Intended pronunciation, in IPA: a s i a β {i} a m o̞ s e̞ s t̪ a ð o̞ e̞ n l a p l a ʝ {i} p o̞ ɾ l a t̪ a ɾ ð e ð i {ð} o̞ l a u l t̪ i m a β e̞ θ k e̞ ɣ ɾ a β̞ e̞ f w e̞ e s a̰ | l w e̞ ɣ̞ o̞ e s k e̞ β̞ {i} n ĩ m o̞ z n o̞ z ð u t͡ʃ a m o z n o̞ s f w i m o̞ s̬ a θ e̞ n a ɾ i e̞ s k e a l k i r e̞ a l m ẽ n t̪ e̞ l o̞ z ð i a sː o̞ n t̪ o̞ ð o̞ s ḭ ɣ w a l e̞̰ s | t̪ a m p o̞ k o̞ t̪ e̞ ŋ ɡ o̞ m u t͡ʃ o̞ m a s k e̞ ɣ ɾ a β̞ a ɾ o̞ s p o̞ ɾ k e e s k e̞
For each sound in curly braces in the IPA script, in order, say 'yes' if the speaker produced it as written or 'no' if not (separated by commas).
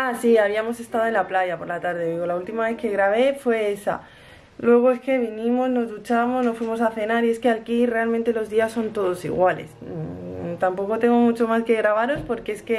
yes, no, no, yes